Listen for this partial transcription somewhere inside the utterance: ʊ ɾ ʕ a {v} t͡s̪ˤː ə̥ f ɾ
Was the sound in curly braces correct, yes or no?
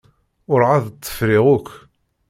no